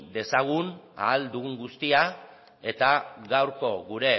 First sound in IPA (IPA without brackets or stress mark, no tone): d̪